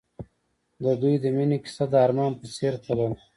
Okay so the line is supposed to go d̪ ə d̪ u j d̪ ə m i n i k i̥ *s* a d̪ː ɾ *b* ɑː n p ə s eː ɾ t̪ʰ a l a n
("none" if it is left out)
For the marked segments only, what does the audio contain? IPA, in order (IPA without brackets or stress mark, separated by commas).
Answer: s, m